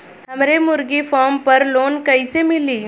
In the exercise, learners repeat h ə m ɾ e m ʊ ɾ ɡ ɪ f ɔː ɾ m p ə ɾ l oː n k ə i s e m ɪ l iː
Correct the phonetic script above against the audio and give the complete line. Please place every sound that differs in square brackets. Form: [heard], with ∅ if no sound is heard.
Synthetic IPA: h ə m ɾ e m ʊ ɾ ɡ [i] f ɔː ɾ m p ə ɾ l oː n k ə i s e m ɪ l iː